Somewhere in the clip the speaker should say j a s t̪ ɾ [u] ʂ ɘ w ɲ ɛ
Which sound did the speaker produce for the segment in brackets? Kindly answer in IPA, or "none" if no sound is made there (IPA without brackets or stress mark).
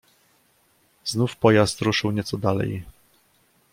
u